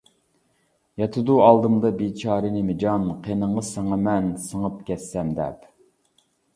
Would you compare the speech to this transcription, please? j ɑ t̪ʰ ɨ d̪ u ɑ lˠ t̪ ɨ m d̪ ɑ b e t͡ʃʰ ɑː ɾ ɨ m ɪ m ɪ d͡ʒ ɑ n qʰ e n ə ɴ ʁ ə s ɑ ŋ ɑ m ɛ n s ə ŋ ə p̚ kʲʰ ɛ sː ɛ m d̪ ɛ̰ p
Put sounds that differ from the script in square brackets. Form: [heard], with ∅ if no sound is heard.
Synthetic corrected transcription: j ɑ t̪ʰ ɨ d̪ u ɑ lˠ [d̪] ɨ m d̪ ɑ b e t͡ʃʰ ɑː ɾ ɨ [n] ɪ m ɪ d͡ʒ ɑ n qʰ e n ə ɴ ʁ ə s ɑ ŋ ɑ m ɛ n s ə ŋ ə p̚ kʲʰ ɛ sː ɛ m d̪ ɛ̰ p